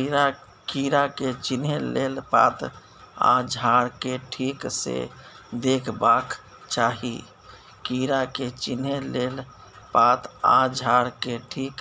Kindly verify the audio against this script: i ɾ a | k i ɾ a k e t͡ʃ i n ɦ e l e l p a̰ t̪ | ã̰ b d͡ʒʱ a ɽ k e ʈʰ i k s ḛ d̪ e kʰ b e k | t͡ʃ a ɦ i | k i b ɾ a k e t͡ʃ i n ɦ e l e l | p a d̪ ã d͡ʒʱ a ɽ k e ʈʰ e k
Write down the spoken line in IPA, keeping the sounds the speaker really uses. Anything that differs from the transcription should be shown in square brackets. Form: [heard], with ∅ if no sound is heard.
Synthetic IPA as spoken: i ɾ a | k i ɾ a k e t͡ʃ i n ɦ e l e l p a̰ t̪ | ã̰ [∅] d͡ʒʱ a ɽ k e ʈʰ i k s ḛ d̪ e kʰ b [a] k | t͡ʃ a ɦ i | k i [∅] ɾ a k e t͡ʃ i n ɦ e l e l | p a [t̪] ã d͡ʒʱ a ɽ k e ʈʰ [i] k